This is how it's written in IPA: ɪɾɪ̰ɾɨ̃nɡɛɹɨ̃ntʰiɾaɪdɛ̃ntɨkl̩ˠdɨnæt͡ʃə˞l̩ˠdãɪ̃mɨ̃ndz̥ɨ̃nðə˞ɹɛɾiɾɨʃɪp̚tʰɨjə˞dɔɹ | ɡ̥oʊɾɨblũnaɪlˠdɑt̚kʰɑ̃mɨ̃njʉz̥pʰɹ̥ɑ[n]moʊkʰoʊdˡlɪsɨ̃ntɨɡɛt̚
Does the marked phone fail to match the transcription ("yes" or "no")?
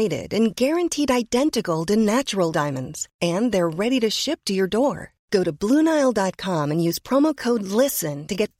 yes